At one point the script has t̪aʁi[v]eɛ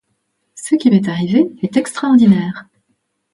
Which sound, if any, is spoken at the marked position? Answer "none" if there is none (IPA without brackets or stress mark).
v